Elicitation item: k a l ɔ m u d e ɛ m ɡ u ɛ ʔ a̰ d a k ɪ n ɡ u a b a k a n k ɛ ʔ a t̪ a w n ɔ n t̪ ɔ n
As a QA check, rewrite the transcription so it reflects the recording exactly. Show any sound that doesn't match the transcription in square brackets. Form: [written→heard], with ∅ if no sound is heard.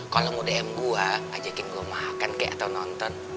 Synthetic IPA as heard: k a l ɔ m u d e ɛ m ɡ u [ɛ→a] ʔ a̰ [d→d͡ʒ] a k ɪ n ɡ u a [b→m] a k a n k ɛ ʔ a t̪ a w n ɔ n t̪ ɔ n